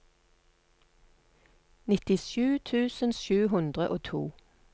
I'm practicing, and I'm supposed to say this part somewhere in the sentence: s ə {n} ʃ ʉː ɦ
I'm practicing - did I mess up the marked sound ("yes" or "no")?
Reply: no